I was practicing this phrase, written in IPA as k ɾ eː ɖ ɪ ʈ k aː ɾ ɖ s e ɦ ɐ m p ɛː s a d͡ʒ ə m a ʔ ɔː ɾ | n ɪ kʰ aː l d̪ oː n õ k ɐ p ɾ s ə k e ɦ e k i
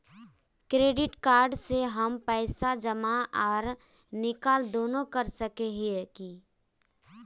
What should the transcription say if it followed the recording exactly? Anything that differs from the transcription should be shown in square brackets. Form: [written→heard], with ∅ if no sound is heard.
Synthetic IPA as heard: k ɾ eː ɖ ɪ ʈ k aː ɾ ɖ s e ɦ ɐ m p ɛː s a d͡ʒ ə m a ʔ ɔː ɾ | n ɪ [kʰ→k] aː l d̪ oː n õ k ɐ [p→∅] ɾ s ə k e ɦ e k i